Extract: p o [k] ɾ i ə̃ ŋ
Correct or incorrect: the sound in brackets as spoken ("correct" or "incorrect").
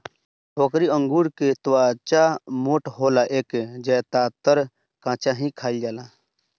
correct